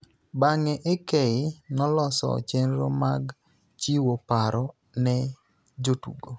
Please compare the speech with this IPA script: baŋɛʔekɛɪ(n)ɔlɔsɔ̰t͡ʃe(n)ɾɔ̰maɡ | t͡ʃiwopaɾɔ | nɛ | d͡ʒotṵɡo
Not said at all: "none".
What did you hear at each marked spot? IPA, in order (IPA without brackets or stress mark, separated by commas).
n, n